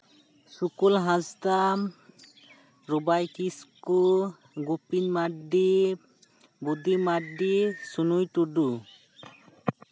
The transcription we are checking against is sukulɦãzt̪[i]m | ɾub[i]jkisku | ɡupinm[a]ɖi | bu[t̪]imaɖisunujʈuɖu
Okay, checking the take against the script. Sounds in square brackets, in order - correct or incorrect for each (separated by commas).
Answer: incorrect, incorrect, correct, incorrect